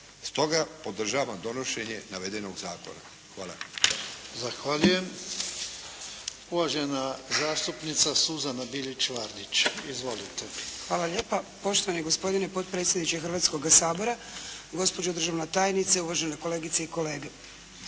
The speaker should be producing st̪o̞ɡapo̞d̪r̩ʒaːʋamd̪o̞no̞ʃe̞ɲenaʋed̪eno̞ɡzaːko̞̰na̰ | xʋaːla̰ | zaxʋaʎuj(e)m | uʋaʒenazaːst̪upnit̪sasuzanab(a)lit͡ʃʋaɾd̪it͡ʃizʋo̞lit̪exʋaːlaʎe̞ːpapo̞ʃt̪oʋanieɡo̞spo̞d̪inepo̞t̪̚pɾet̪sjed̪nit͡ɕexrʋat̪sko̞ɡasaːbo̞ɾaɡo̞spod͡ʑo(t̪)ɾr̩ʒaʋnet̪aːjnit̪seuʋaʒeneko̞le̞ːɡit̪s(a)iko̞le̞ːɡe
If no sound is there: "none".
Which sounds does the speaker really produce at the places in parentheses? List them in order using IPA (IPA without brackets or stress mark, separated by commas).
e, i, d̪, e